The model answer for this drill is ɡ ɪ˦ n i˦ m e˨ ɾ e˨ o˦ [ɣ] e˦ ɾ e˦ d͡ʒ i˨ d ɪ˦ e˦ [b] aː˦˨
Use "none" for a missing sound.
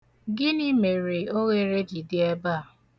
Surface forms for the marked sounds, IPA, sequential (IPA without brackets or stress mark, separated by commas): ɣ, b